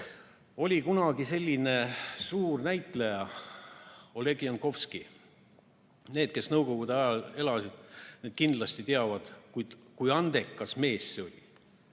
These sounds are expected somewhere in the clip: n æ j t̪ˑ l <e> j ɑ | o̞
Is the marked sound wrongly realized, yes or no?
no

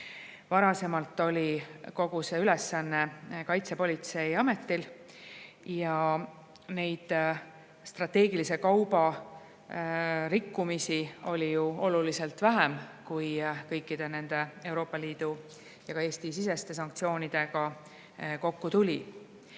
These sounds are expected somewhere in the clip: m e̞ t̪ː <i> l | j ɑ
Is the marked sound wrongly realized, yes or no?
no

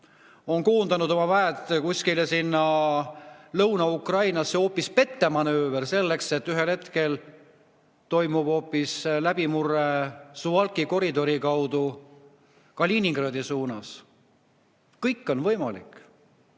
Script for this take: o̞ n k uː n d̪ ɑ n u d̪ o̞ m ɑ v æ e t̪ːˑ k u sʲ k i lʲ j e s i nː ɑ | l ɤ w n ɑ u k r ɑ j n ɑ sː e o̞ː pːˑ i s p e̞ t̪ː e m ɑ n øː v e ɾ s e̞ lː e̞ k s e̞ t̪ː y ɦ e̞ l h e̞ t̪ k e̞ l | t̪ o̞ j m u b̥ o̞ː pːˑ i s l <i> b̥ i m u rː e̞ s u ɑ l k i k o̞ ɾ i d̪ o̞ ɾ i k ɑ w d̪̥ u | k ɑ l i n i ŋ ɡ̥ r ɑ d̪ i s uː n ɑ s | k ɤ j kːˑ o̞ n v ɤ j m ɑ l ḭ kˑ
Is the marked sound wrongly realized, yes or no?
yes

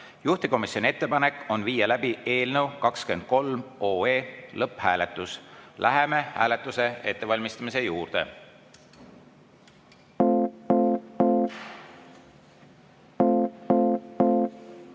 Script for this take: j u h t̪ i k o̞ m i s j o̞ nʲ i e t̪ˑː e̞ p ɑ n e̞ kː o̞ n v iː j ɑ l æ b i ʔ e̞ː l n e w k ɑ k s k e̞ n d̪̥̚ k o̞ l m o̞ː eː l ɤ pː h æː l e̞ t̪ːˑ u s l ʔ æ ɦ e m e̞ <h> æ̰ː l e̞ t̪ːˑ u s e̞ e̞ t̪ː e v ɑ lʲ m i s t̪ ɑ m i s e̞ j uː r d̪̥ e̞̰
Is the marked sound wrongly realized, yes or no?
no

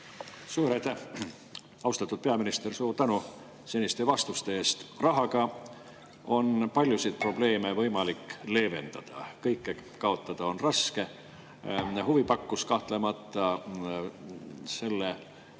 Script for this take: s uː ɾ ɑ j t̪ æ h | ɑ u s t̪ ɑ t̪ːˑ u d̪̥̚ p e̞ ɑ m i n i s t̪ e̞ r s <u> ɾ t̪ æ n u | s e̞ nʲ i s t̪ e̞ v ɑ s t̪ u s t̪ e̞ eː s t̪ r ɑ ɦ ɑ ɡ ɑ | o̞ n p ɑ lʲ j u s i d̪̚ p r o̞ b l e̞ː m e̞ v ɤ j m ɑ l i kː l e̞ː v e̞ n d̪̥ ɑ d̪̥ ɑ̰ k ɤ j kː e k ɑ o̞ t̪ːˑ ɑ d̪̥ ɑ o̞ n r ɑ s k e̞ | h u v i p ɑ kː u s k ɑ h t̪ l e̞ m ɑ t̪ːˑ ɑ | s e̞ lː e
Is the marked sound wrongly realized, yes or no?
yes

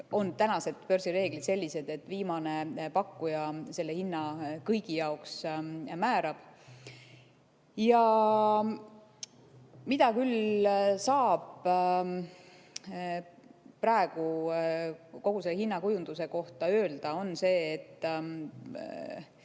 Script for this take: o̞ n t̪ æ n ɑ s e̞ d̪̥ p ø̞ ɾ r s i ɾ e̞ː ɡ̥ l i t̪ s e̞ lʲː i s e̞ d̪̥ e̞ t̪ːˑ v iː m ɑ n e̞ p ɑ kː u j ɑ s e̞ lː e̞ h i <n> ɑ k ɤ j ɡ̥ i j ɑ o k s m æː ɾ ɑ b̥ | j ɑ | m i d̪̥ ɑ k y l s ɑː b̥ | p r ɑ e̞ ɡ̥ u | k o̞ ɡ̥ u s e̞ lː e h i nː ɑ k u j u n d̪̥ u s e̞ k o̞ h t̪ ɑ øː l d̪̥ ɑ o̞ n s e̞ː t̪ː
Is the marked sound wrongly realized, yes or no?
yes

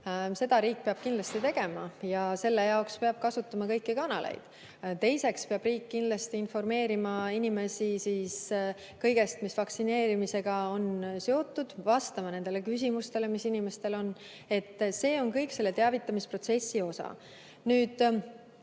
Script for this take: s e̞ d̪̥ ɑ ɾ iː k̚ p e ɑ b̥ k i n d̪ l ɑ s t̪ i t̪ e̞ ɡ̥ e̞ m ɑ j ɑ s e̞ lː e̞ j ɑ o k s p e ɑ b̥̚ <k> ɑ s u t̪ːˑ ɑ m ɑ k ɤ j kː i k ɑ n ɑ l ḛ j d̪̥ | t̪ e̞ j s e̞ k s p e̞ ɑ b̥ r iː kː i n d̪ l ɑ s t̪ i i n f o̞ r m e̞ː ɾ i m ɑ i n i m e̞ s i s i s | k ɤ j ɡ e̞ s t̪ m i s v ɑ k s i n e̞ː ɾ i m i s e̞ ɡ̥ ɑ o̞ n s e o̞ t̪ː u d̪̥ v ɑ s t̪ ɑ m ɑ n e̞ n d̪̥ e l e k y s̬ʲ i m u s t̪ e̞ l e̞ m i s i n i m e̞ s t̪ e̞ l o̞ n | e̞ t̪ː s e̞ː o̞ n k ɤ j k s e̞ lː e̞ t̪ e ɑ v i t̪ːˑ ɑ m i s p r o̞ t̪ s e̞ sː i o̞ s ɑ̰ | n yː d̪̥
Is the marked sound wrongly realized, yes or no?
no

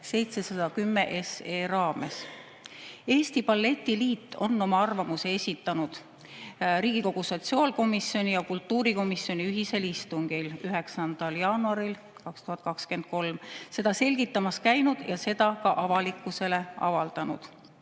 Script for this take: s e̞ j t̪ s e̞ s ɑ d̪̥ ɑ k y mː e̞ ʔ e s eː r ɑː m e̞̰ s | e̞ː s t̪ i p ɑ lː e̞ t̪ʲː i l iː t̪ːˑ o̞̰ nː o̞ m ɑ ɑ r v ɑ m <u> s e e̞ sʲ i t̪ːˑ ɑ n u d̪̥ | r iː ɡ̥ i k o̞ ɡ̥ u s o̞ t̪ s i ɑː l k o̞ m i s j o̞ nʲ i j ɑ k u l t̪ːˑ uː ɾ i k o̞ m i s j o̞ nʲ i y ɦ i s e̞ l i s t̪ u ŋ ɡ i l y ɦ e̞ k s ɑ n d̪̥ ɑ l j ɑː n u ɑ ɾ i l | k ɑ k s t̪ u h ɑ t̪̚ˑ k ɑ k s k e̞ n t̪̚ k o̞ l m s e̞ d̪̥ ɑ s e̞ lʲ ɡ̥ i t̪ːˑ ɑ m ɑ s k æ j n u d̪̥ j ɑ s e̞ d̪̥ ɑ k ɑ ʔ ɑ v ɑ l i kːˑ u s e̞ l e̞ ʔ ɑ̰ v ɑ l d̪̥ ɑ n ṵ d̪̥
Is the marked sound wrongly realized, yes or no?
no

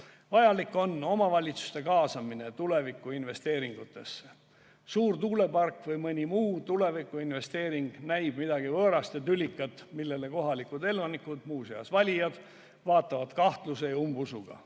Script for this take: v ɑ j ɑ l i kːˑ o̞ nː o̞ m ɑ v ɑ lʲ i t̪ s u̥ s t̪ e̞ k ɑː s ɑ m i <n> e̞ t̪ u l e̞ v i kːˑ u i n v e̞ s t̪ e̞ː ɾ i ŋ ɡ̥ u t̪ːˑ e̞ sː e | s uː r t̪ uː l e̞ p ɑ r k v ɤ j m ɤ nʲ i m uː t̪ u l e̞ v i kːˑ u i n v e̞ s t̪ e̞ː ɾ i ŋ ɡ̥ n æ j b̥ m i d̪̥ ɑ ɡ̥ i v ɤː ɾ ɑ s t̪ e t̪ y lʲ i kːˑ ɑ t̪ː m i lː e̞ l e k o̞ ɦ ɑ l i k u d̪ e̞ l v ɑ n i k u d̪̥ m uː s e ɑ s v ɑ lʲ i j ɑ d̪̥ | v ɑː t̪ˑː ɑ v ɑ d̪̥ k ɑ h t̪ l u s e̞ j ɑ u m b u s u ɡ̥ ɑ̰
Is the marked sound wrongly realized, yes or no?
no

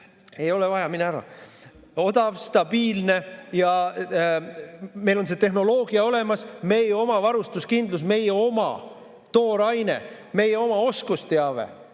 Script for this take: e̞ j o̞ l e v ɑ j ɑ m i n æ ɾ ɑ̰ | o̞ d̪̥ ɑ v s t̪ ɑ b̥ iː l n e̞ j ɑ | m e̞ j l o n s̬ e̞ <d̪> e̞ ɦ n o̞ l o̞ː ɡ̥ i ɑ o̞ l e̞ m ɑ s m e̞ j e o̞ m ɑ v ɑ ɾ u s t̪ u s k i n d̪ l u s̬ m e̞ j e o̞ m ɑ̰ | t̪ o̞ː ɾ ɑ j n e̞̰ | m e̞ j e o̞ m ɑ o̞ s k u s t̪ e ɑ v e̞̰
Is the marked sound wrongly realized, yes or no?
yes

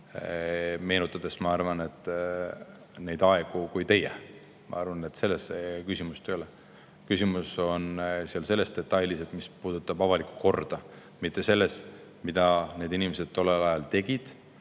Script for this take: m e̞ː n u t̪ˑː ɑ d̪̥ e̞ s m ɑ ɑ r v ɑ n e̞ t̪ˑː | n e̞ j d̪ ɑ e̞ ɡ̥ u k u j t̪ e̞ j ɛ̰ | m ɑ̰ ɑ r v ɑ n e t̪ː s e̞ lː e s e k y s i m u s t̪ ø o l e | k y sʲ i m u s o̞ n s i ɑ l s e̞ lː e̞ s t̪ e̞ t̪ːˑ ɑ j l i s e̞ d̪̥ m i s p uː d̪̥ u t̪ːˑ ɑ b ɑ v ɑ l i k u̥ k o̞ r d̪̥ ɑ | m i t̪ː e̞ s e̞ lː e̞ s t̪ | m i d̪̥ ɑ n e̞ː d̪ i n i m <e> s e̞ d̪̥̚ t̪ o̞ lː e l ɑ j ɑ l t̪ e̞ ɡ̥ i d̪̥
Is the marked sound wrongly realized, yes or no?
no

